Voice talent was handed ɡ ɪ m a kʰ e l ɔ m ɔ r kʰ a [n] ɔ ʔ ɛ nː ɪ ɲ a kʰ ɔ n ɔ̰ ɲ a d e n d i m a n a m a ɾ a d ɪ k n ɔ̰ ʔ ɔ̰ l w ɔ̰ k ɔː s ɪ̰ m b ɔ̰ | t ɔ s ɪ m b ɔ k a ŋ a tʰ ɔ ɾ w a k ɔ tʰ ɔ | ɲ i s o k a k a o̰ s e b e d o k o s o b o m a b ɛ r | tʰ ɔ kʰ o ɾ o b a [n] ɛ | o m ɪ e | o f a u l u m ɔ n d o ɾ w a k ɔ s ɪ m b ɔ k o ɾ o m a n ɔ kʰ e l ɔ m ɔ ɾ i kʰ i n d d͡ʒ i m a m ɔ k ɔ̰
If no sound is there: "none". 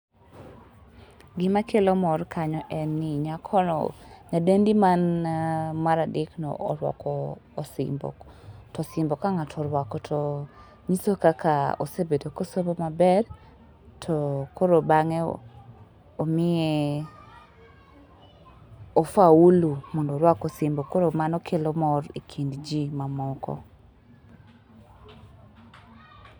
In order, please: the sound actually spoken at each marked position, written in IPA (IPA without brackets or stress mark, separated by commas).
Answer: ɲ, ŋ